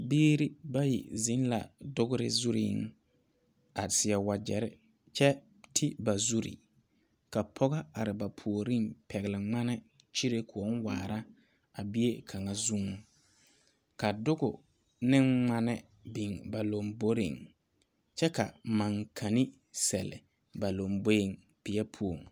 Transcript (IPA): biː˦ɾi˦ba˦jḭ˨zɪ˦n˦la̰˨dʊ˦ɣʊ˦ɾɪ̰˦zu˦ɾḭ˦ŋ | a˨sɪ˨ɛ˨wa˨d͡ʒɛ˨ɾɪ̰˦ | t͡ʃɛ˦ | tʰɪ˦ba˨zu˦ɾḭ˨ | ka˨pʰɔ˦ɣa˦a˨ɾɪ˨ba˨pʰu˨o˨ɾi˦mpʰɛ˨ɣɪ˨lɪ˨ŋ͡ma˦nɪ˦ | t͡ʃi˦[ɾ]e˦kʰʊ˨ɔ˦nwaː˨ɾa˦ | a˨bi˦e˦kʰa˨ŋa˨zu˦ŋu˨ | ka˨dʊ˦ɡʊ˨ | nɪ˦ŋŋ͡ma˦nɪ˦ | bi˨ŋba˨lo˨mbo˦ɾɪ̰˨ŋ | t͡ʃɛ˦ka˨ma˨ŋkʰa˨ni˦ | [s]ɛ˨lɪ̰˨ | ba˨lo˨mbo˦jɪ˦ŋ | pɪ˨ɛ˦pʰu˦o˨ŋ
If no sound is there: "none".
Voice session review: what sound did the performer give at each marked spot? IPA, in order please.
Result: ɾ, s

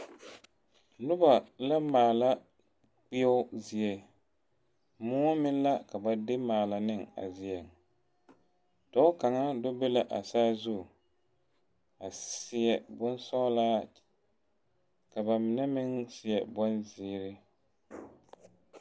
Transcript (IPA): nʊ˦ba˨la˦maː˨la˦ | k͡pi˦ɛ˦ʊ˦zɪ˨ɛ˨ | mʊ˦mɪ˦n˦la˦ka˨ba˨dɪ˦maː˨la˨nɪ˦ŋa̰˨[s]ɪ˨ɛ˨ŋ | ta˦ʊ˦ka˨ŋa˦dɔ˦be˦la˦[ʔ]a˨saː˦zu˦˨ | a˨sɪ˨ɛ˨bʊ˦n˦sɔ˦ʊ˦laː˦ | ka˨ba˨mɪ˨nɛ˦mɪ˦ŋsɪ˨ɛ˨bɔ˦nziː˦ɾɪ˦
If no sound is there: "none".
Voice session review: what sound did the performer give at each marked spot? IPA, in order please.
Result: z, ʔ

